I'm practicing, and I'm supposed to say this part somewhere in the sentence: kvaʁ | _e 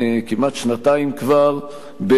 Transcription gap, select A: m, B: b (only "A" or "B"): B